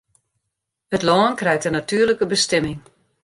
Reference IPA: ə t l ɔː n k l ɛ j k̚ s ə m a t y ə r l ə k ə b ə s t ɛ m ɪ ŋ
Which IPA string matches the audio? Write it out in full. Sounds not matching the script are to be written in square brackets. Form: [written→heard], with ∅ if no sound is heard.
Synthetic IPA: ə t l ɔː n k [l→r] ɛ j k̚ [s→t] ə [m→n] a t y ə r l ə k ə b ə s t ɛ m ɪ ŋ